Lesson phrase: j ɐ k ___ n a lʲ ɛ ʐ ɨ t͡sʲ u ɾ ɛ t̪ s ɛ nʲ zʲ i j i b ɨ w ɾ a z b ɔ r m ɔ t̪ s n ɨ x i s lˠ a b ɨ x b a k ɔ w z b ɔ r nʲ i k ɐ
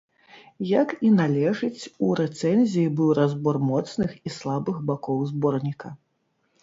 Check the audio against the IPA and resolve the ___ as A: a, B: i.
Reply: B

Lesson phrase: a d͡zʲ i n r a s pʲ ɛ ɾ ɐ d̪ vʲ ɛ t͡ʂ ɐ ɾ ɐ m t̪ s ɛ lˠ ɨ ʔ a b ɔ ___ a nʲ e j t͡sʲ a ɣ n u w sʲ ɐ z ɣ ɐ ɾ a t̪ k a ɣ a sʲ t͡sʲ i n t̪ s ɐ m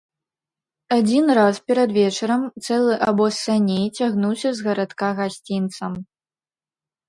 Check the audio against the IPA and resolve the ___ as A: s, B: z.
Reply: A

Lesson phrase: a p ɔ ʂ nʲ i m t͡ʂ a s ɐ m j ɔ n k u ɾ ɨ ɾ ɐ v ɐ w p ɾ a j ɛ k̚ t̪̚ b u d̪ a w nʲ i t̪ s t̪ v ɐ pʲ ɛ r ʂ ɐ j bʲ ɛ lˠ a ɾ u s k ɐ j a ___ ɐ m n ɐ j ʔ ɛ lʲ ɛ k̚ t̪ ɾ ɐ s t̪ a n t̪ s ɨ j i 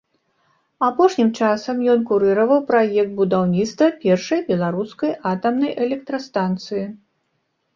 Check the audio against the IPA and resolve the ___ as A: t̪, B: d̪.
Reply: A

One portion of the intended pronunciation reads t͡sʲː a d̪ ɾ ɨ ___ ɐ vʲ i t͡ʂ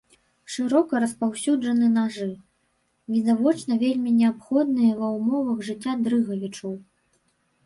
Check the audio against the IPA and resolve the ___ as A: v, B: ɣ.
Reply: B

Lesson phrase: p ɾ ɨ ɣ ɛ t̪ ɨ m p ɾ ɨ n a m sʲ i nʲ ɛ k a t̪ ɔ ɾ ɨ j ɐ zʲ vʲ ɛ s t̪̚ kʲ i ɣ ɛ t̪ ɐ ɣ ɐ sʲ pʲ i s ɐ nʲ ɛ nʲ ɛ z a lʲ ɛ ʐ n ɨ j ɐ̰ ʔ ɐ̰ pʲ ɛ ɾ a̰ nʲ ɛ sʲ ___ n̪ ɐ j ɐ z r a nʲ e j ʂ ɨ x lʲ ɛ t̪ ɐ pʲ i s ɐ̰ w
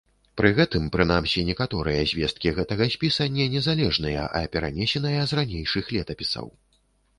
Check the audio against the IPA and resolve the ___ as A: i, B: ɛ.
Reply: B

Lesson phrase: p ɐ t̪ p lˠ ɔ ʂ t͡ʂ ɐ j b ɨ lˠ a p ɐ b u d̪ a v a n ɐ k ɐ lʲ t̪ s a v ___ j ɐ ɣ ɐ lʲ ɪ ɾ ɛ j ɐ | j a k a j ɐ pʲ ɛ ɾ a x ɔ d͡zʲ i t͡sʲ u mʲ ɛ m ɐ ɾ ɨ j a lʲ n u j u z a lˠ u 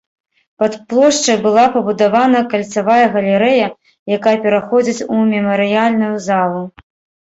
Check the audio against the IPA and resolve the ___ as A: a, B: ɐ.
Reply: A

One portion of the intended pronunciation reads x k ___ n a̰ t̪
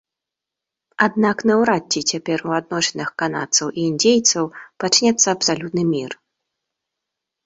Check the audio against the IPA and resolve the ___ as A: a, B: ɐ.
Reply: A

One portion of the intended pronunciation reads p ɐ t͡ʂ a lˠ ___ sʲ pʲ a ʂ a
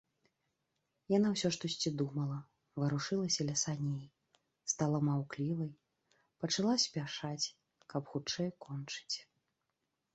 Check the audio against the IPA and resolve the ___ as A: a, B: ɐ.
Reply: A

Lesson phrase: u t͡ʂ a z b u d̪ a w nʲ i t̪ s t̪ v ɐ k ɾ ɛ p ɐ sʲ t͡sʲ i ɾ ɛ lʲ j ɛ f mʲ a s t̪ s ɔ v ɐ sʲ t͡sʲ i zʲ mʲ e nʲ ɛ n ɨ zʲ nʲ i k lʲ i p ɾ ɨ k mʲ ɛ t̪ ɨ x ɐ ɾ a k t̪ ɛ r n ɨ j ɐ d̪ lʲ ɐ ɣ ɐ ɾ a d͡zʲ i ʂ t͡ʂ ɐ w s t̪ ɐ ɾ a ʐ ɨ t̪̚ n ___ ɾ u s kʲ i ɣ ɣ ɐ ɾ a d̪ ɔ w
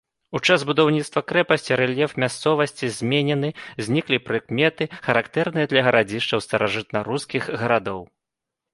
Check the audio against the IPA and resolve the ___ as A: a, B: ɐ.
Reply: B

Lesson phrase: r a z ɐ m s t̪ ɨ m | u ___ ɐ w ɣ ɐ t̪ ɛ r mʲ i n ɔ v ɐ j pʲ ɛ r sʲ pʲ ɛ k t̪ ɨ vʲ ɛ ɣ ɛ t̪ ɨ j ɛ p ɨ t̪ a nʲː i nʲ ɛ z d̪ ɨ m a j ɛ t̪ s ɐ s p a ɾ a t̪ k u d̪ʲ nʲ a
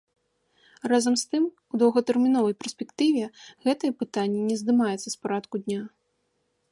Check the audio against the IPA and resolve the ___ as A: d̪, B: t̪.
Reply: A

